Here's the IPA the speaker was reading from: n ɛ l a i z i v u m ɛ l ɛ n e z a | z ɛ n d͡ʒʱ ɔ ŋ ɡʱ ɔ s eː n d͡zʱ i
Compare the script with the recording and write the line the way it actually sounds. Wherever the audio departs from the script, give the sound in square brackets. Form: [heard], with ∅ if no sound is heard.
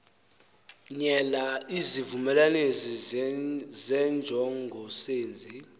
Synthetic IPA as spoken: [ɲ] ɛ l a i z i v u m ɛ l [a] n e z [i] | z ɛ n d͡ʒʱ ɔ ŋ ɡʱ ɔ s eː n d͡zʱ i